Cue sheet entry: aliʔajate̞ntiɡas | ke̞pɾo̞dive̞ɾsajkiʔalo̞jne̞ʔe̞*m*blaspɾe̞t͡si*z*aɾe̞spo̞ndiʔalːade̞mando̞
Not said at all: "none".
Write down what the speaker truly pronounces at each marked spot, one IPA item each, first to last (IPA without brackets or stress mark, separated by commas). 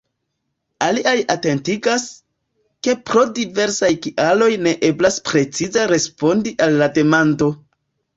none, z